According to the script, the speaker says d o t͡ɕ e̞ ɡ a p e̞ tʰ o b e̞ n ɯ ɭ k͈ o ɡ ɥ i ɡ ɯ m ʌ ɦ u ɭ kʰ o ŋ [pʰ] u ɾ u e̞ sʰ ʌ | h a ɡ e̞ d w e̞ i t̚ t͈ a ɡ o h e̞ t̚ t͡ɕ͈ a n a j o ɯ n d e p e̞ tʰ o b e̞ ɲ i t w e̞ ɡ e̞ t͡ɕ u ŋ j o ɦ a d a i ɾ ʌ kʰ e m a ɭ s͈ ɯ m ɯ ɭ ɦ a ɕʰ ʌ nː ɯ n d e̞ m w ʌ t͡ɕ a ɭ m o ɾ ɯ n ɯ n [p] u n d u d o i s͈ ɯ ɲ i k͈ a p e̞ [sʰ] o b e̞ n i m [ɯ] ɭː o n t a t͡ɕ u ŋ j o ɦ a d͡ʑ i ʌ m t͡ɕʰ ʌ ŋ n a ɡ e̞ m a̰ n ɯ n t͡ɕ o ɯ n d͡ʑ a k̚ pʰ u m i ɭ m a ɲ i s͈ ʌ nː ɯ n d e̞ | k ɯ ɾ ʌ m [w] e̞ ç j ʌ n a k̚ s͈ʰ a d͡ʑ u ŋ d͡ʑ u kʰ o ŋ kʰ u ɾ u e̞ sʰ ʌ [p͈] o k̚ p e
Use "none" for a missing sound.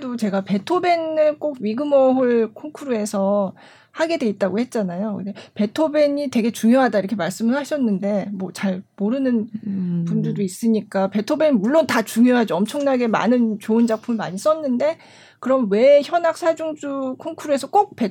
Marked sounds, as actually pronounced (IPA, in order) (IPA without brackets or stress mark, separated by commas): kʰ, p, tʰ, u, w, k͈